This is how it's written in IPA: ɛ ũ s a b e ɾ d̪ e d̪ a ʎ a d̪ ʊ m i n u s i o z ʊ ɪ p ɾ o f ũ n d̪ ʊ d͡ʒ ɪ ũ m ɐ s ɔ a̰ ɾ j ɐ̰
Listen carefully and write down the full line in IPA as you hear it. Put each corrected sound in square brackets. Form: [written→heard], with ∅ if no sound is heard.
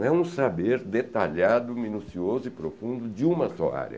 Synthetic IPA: ɛ ũ s a b e ɾ d̪ e [d̪→t̪] a ʎ a d̪ ʊ m i n u s i o z ʊ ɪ p ɾ o f ũ n d̪ ʊ d͡ʒ ɪ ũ m ɐ s ɔ a̰ ɾ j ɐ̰